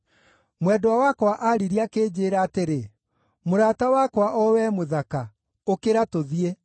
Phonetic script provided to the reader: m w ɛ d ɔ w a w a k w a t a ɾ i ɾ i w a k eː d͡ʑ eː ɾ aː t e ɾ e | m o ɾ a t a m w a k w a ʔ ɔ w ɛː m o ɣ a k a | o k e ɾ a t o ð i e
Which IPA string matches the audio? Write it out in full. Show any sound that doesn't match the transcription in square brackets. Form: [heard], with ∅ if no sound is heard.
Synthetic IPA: m w ɛ d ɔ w a w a k w a [ʔ] a ɾ i ɾ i [∅] a k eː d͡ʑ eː ɾ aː t e ɾ e | m o ɾ a t a [∅] w a k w a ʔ ɔ w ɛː m o [ð] a k a | o k e ɾ a t o ð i e